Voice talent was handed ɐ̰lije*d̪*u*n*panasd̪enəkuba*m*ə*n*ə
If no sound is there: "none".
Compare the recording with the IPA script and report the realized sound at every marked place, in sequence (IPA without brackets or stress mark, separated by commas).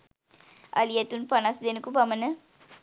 t̪, n, m, n